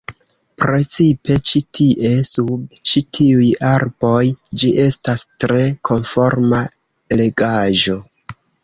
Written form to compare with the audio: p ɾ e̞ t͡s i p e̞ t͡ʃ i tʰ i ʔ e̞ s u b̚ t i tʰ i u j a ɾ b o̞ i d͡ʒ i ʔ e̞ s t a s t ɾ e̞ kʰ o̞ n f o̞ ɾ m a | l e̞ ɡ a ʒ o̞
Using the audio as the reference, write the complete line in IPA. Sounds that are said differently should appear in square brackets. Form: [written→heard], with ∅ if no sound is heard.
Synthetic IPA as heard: p ɾ e̞ t͡s i p e̞ t͡ʃ i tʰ i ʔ e̞ s u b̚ [t→t͡ʃ] i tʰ i u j a ɾ b o̞ [i→j] d͡ʒ i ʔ e̞ s t a s t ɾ e̞ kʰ o̞ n f o̞ ɾ m a | l e̞ ɡ a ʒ o̞